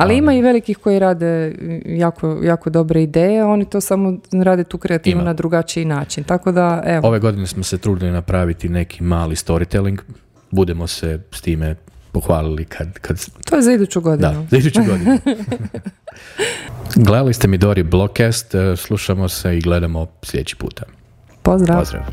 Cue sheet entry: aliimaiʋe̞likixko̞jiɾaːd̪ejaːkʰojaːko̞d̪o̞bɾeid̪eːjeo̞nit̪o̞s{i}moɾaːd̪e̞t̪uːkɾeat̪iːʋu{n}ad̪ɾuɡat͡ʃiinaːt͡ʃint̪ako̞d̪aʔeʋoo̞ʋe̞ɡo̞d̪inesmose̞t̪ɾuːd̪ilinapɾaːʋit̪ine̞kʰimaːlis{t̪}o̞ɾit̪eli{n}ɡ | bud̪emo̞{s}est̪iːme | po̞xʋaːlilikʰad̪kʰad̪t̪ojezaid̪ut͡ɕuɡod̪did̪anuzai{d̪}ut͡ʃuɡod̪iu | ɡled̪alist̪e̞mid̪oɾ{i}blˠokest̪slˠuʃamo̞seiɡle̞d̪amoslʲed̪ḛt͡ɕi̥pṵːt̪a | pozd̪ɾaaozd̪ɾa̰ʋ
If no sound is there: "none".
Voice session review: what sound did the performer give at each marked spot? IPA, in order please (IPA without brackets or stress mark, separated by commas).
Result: a, n, t̪, ŋ, s, d̪, i